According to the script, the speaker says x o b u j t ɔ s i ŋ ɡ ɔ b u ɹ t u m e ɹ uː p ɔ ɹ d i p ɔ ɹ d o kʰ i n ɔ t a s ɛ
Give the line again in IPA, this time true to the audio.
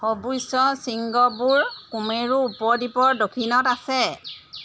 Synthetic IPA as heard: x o b u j s ɔ s i ŋ ɡ ɔ b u ɹ k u m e ɹ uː p ɔ ɹ d i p ɔ ɹ d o kʰ i n ɔ t a s ɛ